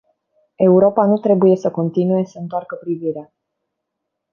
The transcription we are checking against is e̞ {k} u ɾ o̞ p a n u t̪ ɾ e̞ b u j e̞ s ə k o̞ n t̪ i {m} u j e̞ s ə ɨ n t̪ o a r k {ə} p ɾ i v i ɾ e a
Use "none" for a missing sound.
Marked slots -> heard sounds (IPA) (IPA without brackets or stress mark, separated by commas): none, n, ə